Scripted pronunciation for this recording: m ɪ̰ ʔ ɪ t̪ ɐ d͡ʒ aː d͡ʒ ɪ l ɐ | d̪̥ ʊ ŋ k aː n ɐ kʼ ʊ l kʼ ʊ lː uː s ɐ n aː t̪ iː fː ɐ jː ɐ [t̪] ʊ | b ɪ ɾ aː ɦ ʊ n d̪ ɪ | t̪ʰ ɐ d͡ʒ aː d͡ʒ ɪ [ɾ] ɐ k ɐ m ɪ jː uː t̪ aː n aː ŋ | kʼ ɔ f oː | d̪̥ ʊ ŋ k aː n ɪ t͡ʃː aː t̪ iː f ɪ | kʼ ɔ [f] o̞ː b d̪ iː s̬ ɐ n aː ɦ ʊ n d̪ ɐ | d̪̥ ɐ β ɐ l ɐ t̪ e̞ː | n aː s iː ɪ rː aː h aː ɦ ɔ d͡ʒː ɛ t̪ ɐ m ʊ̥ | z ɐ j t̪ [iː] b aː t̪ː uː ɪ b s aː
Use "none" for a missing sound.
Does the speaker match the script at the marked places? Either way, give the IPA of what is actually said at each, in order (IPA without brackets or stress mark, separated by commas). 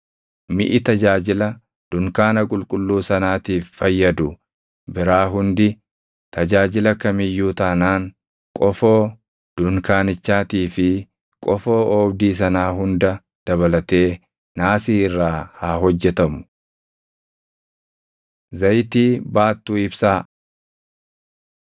d̪, l, f, iː